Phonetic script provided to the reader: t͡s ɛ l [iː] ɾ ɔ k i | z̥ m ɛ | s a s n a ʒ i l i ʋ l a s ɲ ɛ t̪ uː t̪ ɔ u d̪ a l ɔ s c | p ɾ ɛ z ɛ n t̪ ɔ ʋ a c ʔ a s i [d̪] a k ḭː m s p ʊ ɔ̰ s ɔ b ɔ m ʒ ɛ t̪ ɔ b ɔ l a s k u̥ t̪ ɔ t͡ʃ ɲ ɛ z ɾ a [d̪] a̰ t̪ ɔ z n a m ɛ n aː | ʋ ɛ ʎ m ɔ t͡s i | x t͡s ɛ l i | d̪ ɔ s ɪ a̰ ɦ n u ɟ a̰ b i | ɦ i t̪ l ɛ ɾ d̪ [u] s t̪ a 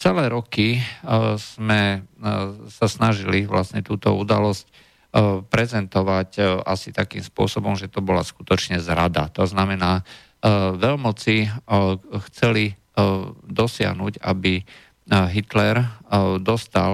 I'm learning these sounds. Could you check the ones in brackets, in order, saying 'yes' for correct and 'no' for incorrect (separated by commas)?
no, no, yes, no